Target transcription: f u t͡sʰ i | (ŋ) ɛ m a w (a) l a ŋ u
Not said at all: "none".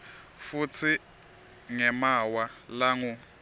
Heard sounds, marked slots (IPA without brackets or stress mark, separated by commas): ŋ, a